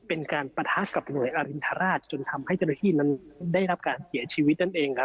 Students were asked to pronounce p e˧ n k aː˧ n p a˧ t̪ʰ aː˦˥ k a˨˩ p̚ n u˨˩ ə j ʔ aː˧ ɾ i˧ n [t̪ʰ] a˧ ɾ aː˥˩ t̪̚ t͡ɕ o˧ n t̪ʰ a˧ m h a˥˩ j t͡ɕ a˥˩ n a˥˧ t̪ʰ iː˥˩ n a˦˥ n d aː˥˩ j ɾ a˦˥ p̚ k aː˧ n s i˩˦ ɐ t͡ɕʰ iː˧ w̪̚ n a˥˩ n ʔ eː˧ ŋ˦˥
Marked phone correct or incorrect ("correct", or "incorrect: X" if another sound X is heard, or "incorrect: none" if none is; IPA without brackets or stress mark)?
correct